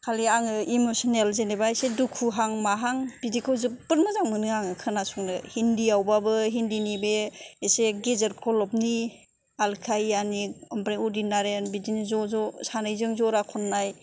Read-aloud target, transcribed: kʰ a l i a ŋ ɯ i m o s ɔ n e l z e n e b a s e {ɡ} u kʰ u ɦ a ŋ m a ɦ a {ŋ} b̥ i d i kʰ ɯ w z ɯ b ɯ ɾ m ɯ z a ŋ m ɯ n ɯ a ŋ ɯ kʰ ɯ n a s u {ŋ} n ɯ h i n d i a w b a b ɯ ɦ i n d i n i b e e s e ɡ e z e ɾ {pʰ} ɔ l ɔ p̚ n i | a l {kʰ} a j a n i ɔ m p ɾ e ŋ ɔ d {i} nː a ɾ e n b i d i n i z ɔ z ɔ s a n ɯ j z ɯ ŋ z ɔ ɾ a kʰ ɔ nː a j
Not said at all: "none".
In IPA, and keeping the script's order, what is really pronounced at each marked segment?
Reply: d, ŋ, ŋ, kʰ, kʰ, i

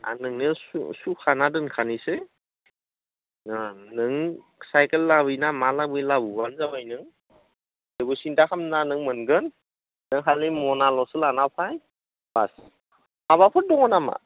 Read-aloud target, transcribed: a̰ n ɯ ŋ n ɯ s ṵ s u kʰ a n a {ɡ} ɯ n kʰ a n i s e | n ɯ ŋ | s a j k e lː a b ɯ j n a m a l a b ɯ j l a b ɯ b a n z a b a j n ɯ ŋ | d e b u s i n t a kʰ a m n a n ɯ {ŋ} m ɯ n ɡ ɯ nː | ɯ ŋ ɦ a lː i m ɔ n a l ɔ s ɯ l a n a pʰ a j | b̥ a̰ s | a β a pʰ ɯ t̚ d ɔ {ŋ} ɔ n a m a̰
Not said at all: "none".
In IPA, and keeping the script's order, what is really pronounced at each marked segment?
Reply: d, ŋ, ŋ

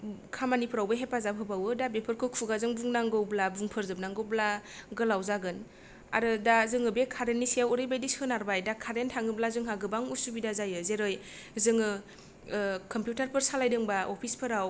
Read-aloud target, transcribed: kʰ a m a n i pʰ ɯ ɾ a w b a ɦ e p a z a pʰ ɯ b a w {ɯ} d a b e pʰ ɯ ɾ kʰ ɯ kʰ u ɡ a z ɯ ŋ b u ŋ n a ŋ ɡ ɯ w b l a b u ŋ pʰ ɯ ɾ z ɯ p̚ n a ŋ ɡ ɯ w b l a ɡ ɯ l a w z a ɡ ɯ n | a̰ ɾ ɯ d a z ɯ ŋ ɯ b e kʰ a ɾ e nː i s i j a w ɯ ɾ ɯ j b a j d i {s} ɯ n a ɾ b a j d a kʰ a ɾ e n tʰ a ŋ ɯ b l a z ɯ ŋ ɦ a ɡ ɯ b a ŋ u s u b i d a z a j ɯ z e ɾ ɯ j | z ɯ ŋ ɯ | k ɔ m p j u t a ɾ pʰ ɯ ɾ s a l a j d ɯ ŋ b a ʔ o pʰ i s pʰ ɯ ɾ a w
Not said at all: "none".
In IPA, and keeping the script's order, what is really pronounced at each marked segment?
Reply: ɯ, s

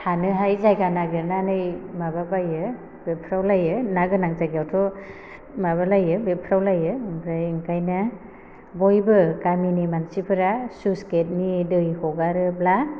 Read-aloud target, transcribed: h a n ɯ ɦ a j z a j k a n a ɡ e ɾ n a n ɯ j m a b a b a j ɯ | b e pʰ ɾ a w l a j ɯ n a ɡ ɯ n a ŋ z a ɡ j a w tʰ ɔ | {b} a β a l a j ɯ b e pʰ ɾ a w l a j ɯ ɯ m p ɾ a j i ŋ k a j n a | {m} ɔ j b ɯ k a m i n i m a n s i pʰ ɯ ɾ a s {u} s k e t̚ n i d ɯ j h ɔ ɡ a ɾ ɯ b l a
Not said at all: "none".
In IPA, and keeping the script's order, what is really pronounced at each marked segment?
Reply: m, b, u

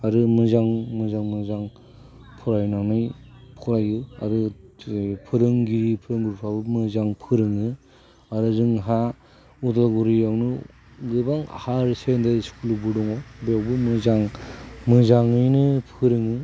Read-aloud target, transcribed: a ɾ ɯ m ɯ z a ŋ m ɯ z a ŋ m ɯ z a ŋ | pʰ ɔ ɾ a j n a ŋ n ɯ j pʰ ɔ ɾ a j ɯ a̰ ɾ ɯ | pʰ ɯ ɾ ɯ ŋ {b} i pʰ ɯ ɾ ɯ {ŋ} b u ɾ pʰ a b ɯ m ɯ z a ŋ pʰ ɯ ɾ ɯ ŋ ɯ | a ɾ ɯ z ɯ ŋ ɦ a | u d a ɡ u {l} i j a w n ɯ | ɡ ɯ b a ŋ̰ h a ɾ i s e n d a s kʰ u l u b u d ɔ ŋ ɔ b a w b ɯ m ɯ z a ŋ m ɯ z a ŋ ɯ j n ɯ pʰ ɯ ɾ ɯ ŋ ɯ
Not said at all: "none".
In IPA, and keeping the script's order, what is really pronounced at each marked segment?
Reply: ɡ, ŋ, ɾ

